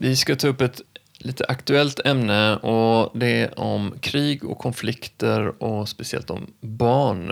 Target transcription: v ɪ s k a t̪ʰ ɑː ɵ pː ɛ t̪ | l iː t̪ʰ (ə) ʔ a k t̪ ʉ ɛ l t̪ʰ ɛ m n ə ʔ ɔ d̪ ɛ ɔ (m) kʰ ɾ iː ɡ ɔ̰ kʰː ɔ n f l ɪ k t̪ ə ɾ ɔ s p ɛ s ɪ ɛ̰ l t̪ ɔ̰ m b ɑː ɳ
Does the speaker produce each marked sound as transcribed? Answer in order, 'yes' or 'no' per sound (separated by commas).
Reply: yes, yes